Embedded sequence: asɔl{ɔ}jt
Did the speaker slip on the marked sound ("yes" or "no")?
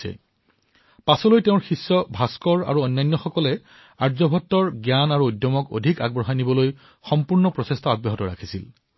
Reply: yes